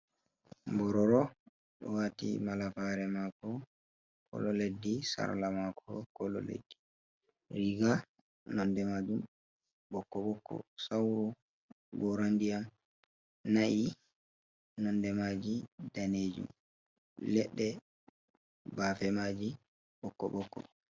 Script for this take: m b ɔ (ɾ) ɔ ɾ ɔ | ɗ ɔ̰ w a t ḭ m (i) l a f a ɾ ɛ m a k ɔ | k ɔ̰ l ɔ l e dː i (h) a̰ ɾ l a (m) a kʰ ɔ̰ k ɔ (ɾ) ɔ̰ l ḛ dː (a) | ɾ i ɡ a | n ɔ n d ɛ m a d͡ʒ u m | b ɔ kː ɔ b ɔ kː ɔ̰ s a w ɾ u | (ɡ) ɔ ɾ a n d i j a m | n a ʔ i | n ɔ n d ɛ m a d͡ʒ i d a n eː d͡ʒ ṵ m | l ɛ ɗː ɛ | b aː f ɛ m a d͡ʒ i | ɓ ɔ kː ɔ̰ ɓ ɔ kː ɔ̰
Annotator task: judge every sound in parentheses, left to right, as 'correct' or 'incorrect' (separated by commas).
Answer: correct, incorrect, incorrect, correct, incorrect, incorrect, correct